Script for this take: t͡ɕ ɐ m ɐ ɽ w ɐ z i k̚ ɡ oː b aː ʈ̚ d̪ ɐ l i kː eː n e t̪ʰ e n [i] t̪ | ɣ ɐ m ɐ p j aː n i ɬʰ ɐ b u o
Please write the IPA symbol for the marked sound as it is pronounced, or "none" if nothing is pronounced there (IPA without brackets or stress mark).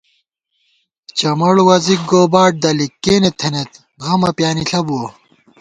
e